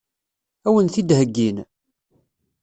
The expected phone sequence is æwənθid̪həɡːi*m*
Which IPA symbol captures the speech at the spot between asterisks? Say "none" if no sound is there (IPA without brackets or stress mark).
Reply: n